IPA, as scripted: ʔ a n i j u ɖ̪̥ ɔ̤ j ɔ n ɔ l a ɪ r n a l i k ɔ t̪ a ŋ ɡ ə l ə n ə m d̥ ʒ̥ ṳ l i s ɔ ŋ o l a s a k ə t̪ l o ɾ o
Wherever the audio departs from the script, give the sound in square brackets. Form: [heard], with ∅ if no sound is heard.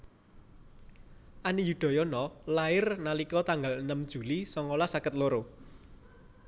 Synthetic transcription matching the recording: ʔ a n i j u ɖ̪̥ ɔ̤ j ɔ n ɔ l a ɪ r n a l i k ɔ t̪ a ŋ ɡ [a] l ə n ə m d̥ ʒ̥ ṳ l i s ɔ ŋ o l a s a k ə t̪ l o ɾ o